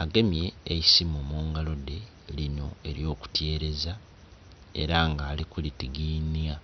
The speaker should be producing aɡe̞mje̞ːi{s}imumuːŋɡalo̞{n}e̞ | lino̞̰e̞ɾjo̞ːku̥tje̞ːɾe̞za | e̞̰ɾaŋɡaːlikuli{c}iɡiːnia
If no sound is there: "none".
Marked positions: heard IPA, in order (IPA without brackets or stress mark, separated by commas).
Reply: s, d, t